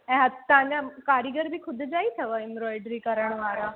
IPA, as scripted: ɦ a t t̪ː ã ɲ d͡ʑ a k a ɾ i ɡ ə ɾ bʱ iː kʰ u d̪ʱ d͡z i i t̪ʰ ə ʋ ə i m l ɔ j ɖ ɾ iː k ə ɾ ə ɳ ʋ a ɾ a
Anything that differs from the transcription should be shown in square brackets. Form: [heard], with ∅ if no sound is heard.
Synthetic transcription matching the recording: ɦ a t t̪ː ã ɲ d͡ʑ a k a ɾ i ɡ ə ɾ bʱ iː kʰ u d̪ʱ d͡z [a] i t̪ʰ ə ʋ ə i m [ɾ] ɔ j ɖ ɾ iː k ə ɾ ə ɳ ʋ a ɾ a